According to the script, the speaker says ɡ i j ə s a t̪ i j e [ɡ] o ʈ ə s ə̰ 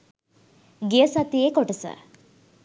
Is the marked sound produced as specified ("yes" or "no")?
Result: no